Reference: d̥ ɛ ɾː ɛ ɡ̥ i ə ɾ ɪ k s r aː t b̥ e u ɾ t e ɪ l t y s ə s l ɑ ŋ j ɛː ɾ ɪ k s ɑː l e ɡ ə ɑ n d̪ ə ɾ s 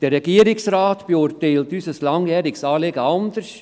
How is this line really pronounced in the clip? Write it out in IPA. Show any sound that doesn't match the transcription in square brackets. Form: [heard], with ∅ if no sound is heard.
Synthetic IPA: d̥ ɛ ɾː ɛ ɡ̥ i ə ɾ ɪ k s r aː t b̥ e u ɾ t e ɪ l t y s ə s l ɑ ŋ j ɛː ɾ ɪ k s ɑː l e ɡ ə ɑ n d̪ ə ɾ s